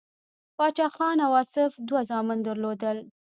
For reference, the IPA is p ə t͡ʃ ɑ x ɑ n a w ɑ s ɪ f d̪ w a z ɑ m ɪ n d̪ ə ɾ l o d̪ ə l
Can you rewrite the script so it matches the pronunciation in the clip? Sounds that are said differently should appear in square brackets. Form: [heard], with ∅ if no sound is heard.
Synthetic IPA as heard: p [ɑ] t͡ʃ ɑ x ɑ n a w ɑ s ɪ f d̪ w a z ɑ m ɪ n d̪ ə ɾ l o d̪ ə l